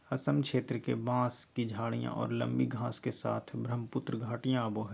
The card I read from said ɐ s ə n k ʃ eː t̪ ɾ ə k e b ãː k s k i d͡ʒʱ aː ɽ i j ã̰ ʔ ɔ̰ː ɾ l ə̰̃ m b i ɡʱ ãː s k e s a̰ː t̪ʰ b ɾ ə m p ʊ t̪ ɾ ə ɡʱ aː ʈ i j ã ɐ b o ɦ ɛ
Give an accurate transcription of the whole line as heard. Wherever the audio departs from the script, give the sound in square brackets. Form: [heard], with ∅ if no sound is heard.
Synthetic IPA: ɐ s ə [m] k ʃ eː t̪ ɾ ə k e b ãː [∅] s k i d͡ʒʱ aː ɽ i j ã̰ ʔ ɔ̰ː ɾ l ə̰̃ m b i ɡʱ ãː s k e s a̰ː t̪ʰ b ɾ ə m p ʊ t̪ ɾ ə ɡʱ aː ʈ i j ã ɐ b o ɦ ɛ